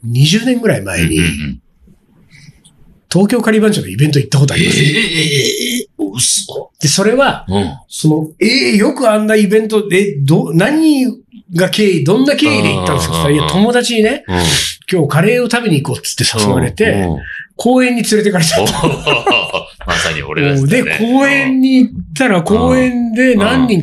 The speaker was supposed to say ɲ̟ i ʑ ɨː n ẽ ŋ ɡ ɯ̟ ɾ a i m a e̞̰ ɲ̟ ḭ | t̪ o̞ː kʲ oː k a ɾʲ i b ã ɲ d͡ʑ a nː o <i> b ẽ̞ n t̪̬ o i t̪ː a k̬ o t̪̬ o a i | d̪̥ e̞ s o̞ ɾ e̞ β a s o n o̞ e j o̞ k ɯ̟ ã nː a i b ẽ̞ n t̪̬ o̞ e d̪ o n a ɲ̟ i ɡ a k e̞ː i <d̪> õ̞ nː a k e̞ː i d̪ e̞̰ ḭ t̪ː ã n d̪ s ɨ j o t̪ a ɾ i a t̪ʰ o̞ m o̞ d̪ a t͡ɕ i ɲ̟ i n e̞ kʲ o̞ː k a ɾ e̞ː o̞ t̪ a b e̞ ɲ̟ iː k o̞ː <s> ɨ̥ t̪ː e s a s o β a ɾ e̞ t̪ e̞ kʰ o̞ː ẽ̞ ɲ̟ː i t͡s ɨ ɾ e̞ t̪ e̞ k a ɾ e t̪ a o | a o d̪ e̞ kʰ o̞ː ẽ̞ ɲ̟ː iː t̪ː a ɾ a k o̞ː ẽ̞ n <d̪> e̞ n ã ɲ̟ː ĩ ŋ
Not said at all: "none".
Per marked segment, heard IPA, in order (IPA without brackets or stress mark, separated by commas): i, d̪, t͡s, d̪